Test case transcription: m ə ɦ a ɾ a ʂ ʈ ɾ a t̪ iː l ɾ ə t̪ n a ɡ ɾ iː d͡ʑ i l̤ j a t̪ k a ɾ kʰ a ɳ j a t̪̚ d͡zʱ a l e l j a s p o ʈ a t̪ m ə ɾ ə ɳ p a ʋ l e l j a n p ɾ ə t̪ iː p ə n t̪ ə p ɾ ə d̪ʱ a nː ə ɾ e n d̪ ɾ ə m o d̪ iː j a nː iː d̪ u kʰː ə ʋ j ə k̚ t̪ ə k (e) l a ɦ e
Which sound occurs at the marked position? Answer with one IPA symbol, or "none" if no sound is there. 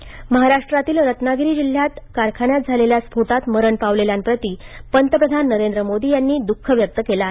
e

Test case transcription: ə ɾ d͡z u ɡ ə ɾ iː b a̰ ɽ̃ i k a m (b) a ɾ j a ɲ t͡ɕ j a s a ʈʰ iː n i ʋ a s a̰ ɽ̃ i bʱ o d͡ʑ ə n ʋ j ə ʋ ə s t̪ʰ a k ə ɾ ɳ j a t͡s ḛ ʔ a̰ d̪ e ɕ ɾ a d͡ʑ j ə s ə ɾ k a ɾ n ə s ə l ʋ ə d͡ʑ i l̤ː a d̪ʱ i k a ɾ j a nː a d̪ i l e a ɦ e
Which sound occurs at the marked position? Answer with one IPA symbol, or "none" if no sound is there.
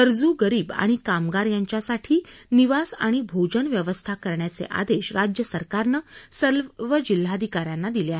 ɡ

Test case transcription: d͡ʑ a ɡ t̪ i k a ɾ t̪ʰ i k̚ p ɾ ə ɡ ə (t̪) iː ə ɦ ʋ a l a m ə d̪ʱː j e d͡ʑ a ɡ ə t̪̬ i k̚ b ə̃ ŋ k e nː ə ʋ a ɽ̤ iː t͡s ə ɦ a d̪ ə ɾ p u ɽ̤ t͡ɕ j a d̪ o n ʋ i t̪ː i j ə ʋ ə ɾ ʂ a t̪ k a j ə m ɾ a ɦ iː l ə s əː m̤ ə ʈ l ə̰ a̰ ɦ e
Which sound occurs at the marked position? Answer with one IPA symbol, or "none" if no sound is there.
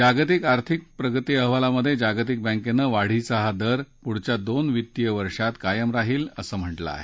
t̪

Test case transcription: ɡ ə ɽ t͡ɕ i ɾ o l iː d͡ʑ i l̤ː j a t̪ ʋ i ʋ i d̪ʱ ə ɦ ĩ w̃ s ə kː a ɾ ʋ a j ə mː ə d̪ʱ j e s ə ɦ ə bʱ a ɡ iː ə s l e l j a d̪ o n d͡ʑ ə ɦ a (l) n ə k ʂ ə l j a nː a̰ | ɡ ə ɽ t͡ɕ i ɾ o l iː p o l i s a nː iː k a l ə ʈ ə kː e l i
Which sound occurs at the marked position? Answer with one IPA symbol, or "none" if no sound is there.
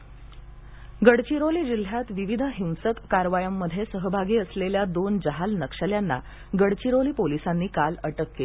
l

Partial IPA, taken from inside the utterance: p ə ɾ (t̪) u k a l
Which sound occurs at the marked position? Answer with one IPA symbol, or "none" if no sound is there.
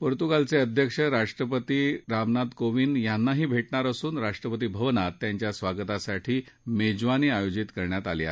t̪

